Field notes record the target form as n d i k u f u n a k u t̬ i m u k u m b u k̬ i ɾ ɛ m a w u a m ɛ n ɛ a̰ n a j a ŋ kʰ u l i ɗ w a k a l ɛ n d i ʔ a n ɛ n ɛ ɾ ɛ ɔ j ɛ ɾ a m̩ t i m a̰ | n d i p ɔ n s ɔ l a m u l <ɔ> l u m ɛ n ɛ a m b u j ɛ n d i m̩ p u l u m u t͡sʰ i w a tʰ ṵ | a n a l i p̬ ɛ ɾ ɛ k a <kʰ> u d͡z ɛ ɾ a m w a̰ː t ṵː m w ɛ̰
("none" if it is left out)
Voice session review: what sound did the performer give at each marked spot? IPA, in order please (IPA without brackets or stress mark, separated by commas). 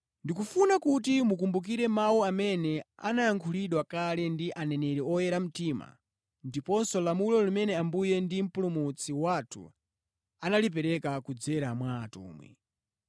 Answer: ɔ, k